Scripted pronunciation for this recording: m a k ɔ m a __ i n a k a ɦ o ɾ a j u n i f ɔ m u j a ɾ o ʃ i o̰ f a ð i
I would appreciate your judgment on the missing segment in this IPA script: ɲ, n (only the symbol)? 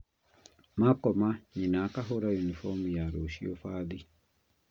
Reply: ɲ